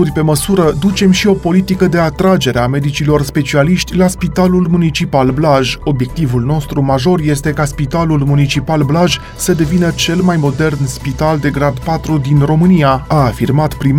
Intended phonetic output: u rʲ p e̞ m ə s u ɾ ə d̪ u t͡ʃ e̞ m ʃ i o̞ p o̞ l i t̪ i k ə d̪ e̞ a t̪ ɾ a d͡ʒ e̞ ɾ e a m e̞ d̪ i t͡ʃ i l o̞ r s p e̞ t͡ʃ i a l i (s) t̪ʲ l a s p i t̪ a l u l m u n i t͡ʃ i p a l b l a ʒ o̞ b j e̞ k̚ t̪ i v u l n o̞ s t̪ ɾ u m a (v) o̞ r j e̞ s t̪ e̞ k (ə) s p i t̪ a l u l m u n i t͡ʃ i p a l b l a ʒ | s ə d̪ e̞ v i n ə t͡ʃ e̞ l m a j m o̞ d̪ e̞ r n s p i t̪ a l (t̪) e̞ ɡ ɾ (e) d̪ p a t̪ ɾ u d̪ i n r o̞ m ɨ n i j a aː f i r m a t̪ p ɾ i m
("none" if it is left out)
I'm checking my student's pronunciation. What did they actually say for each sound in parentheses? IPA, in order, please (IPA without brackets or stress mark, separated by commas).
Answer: ʃ, ʒ, a, d̪, a